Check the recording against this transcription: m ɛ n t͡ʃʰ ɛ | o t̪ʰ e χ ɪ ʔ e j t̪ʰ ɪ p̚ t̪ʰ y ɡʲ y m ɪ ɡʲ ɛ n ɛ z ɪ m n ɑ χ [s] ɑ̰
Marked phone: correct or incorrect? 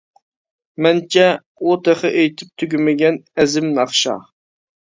incorrect